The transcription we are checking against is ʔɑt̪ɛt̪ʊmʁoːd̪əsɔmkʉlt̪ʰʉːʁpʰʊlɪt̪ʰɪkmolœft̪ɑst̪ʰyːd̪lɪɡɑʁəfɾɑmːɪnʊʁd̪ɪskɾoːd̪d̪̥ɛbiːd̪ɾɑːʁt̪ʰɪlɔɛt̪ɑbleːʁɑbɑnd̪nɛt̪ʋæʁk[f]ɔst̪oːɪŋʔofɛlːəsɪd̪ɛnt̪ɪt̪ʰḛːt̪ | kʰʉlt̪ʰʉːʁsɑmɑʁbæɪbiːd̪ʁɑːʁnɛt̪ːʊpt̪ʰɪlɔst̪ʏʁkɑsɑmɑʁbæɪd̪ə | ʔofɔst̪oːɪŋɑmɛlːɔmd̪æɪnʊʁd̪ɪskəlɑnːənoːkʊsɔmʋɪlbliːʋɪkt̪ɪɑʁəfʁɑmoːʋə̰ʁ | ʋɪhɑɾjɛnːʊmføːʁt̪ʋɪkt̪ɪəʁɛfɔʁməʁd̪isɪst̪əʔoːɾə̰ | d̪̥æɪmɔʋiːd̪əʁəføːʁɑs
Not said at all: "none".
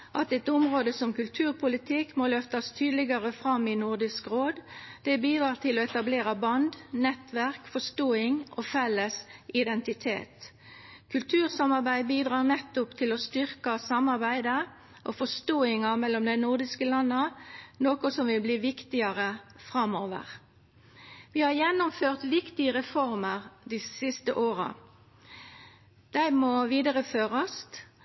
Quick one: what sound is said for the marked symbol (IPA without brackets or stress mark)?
f